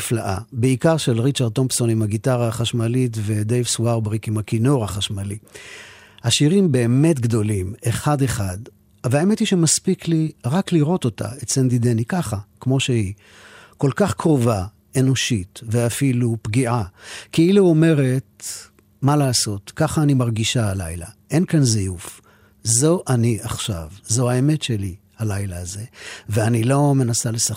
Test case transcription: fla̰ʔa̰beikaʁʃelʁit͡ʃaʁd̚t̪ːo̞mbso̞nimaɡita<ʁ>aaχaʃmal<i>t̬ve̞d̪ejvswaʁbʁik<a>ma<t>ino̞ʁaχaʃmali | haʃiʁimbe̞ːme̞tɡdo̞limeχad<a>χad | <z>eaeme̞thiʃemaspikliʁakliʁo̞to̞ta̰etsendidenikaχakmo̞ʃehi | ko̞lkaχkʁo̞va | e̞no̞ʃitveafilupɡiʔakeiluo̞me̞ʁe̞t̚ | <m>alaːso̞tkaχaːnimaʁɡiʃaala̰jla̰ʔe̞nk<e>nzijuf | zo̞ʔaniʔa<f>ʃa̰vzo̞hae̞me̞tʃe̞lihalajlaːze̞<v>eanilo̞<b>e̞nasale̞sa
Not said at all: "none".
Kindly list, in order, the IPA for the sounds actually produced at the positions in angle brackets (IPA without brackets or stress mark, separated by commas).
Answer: ʁ, i, i, k, e, v, m, a, χ, v, m